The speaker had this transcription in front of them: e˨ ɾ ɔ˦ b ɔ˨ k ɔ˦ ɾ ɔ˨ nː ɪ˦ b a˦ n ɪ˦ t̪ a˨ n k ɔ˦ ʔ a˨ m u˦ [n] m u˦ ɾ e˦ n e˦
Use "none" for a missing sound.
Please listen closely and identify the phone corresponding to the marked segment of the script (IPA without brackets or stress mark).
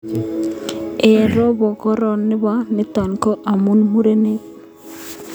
n